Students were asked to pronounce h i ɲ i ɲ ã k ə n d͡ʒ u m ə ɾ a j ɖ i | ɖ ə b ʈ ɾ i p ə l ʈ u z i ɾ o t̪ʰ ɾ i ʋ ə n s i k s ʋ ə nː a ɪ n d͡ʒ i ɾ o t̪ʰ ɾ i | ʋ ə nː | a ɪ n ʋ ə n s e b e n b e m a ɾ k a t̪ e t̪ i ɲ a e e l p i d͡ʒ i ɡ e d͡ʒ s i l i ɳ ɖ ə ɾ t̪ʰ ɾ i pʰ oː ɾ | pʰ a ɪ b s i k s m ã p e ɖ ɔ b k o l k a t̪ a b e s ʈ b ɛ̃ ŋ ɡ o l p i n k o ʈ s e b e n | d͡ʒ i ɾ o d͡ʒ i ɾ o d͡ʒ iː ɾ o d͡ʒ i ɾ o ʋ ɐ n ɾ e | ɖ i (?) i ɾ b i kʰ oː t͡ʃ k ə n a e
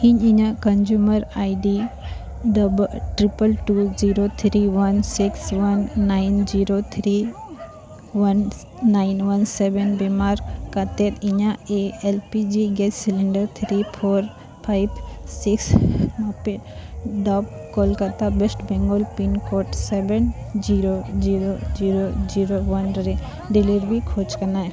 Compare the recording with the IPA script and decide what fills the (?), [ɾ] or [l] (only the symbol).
l